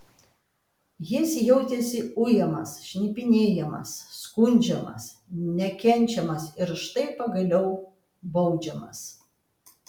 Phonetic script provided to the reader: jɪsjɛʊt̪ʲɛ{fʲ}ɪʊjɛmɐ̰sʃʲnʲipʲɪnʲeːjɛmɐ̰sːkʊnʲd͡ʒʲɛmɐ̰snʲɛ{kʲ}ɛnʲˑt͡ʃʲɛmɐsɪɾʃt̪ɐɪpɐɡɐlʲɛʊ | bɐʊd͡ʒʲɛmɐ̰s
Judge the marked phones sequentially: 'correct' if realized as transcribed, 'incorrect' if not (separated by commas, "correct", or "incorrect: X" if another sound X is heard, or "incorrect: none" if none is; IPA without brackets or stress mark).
incorrect: sʲ, correct